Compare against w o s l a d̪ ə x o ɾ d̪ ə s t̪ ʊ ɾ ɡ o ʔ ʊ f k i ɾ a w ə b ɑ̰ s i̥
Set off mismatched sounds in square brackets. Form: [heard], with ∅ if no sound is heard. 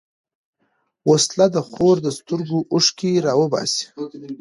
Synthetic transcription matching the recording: w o s l a d̪ ə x o ɾ d̪ ə s t̪ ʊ ɾ ɡ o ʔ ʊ [ʂ] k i ɾ [ɑ] w ə b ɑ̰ s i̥